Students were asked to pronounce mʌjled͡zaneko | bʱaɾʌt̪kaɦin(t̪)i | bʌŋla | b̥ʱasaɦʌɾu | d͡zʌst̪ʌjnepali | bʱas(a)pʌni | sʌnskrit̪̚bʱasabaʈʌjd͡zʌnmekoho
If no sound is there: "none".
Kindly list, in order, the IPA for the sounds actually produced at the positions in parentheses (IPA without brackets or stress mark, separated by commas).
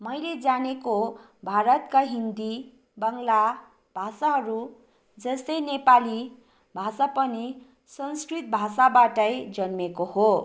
d̪, a